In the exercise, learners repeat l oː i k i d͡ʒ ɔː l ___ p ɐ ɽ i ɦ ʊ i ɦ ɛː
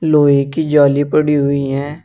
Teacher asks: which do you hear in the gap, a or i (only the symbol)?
i